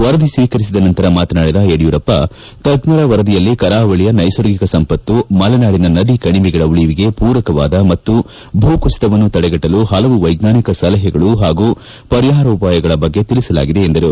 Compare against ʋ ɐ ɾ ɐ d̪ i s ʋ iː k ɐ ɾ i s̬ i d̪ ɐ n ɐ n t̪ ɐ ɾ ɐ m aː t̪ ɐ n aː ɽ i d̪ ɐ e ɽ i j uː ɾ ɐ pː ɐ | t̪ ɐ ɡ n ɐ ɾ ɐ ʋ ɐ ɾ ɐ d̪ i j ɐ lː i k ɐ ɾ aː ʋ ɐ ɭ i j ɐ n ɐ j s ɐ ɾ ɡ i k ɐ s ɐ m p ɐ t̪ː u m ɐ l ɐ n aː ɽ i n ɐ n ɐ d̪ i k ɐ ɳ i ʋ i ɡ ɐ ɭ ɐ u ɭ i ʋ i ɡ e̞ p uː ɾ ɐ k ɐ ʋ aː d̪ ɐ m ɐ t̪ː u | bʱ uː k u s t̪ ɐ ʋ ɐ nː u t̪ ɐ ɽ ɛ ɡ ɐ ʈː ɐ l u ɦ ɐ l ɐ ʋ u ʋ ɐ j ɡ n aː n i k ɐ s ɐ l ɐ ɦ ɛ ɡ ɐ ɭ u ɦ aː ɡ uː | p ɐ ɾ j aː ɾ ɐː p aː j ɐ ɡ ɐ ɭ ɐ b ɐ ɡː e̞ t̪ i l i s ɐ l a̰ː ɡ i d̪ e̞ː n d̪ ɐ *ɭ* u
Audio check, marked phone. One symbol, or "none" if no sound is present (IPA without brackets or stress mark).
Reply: ɾ